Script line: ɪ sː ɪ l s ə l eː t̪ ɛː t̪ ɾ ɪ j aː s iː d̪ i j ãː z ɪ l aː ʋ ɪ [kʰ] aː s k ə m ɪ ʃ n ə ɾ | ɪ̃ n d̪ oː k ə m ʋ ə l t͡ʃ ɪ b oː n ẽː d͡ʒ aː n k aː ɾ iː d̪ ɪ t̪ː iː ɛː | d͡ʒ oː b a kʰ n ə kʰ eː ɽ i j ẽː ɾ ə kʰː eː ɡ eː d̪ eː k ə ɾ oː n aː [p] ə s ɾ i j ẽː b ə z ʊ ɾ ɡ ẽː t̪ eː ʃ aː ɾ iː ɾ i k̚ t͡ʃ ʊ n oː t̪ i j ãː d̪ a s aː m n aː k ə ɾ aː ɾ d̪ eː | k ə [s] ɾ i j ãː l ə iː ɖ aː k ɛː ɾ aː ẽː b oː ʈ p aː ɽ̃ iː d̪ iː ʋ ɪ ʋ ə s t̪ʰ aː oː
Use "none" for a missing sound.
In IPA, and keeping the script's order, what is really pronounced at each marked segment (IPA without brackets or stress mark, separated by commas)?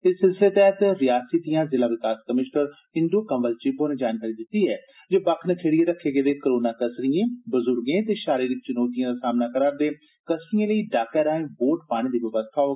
k, k, s